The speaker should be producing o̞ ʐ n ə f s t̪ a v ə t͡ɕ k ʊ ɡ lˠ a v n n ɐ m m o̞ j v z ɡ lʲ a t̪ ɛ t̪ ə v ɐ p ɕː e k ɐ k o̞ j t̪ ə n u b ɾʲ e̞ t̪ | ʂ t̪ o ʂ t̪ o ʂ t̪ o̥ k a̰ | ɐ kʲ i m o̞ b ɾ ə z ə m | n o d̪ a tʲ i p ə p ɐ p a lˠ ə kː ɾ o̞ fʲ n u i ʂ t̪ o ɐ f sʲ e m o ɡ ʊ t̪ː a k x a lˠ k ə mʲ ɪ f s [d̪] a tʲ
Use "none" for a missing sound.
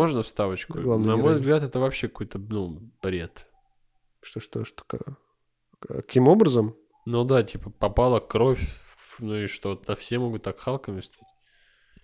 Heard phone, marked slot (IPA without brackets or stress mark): t̪